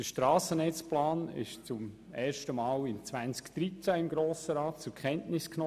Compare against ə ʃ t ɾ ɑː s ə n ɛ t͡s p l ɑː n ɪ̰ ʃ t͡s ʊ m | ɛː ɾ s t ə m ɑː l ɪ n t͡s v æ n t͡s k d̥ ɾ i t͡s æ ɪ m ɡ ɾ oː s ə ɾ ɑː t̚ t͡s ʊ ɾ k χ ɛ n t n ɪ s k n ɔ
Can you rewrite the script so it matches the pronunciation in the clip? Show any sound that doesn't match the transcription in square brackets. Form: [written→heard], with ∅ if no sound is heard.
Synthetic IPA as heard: ə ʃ t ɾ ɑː s ə n ɛ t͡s p l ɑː n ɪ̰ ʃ t͡s ʊ m | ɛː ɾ [s→ʃ] t ə m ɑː l ɪ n t͡s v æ n t͡s k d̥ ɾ i t͡s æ ɪ m ɡ ɾ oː s ə ɾ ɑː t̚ t͡s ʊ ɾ k χ ɛ n t n ɪ s k n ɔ

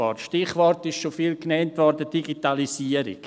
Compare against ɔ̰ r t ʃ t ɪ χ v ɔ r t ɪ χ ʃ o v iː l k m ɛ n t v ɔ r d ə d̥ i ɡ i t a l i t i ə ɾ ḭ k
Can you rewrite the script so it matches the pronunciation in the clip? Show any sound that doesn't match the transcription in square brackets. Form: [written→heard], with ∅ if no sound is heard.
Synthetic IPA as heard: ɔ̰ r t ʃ t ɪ χ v ɔ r t ɪ [χ→ʃ] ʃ o [v→f] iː l k [m→n] ɛ n t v ɔ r d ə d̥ i ɡ i t a l i [t→s] i ə ɾ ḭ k

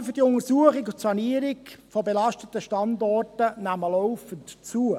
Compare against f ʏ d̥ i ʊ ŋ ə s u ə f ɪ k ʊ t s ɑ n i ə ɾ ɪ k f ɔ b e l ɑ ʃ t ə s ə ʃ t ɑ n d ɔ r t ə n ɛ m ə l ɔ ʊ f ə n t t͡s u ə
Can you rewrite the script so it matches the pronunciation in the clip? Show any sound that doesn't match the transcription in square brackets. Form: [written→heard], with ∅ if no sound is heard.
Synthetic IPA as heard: f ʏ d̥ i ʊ ŋ ə s u ə [f→χ] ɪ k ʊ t s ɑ n i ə ɾ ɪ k f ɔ b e l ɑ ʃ t ə [s→t] ə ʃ t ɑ n d ɔ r t ə n [ɛ→æ] m ə l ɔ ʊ f ə n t t͡s u ə

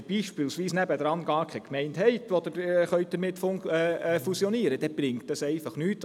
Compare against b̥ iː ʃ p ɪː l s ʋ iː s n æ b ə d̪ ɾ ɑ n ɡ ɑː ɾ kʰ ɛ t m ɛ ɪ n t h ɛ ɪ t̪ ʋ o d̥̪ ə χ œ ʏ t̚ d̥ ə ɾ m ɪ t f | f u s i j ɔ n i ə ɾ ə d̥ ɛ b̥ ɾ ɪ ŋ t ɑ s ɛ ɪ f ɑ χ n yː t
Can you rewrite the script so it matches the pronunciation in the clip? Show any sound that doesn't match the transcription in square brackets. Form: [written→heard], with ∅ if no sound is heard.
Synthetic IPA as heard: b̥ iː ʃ p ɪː l s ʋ iː s n æ b ə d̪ ɾ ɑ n ɡ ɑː ɾ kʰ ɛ [t→k] m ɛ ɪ n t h ɛ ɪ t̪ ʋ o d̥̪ ə χ œ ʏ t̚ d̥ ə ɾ m ɪ t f | f u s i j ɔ n i ə ɾ ə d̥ ɛ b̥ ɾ ɪ ŋ t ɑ s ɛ ɪ f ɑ χ n yː t

